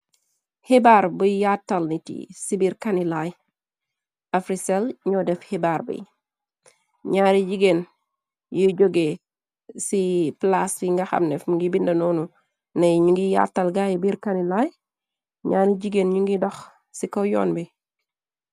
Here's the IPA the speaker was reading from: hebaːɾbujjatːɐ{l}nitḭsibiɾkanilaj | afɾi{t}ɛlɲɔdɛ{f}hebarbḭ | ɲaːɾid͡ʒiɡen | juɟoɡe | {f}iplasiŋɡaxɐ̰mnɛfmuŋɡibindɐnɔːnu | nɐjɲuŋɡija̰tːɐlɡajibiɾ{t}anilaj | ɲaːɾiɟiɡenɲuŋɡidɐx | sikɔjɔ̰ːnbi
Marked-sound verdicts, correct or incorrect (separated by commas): correct, incorrect, correct, incorrect, incorrect